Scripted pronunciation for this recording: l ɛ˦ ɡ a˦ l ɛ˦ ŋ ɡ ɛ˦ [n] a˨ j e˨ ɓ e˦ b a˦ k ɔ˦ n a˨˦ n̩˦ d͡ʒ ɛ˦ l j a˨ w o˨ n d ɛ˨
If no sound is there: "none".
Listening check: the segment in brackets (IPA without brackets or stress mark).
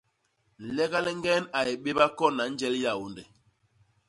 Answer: n